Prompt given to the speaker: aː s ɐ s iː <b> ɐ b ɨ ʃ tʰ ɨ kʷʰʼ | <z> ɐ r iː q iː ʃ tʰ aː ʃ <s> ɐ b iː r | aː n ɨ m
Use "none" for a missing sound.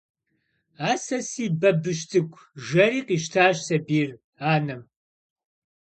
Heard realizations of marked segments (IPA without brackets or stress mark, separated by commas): b, ʒ, s